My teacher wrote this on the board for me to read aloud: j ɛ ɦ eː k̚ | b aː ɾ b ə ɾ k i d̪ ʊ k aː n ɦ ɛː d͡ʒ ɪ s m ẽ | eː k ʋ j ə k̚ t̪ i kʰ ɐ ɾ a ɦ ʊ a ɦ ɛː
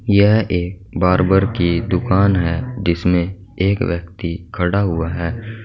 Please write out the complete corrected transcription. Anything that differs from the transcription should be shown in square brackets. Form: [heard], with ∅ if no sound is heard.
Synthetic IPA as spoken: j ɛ ɦ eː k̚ | b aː ɾ b ə ɾ k i d̪ ʊ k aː n ɦ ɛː d͡ʒ ɪ s m ẽ | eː k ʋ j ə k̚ t̪ i kʰ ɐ [ɽ] a ɦ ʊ a ɦ ɛː